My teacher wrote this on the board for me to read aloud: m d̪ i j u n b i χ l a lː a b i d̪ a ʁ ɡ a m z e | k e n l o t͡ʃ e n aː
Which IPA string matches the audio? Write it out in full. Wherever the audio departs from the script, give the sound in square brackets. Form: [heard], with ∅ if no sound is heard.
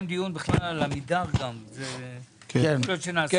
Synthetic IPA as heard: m d̪ i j u n b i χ l a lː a [m] i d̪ a ʁ ɡ a m z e | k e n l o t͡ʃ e n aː